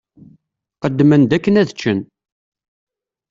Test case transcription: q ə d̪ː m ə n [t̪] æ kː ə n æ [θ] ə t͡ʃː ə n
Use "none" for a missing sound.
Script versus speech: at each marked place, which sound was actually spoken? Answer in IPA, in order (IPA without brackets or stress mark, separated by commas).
d̪, ð